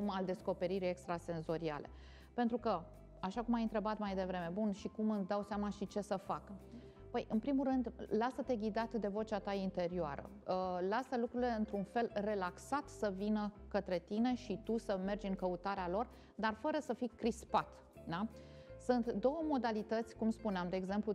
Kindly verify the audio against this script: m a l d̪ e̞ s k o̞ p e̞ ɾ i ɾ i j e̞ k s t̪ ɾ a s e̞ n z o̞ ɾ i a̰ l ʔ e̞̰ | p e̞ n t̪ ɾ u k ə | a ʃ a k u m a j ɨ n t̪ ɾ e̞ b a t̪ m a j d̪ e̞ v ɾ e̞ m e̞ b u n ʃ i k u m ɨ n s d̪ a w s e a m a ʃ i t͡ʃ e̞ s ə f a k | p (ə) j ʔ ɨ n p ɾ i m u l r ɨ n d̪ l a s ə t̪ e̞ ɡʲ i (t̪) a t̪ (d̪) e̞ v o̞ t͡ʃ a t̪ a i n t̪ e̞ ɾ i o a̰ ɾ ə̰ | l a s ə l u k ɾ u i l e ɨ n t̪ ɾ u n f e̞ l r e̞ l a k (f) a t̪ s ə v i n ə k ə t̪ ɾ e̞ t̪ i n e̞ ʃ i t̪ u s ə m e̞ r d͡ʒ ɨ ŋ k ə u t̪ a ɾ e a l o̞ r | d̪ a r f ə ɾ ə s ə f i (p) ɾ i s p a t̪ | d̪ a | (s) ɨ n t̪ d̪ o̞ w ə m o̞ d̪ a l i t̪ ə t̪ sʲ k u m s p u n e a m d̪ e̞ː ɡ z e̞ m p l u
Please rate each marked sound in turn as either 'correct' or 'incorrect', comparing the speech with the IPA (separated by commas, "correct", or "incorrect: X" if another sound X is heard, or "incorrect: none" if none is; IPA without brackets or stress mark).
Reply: correct, incorrect: d̪, correct, incorrect: s, incorrect: k, correct